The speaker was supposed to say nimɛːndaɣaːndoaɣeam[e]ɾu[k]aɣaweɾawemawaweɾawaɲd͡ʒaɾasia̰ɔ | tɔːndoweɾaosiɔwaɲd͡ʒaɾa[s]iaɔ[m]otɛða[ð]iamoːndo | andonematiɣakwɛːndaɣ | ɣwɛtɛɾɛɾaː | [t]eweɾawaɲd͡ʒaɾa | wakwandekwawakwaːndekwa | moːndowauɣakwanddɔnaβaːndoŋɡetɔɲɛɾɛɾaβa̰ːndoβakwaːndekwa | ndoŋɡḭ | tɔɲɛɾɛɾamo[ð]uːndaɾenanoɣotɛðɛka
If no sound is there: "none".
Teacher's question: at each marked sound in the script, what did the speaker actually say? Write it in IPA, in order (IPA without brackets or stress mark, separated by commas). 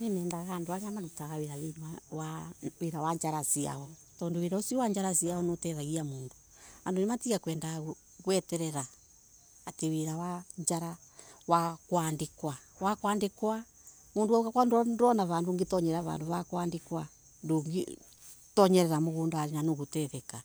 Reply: a, t, s, n, ɣ, t, ɣ